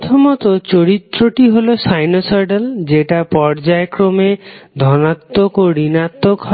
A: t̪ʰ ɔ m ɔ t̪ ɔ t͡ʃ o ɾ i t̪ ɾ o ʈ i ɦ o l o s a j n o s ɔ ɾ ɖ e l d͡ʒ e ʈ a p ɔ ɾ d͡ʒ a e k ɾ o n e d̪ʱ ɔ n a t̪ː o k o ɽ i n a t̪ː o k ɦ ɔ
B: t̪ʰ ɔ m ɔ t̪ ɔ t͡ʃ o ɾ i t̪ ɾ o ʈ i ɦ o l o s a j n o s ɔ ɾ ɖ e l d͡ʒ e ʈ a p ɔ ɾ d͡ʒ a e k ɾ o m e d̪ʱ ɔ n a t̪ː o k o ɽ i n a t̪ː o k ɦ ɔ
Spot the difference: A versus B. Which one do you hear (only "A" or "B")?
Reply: B